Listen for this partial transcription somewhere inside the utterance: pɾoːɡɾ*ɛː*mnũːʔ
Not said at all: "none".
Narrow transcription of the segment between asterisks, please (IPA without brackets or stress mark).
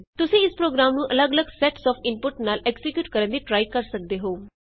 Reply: aː